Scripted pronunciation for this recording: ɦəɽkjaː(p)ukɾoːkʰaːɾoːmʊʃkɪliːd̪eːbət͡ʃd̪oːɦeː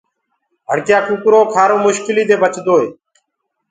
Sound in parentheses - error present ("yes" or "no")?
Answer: yes